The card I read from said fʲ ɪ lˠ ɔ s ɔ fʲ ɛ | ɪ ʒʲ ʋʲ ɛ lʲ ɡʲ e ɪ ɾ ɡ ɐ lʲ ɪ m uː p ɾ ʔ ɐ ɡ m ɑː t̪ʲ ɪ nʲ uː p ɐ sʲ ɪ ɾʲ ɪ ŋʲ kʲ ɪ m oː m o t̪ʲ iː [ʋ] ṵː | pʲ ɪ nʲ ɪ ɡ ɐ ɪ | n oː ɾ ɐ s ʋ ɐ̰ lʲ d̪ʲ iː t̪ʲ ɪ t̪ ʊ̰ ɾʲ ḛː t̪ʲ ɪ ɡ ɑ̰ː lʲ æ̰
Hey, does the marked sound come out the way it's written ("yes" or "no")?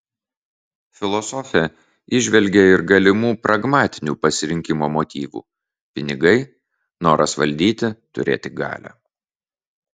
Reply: yes